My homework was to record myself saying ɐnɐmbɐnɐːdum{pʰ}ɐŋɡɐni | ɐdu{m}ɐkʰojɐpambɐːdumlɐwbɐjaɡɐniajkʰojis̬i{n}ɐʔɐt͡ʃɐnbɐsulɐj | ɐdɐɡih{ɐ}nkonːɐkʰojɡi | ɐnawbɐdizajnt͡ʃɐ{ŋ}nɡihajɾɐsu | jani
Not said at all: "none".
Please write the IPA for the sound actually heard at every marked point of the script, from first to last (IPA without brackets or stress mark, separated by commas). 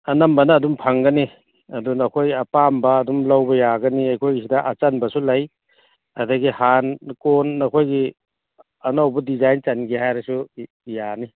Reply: pʰ, n, d, a, none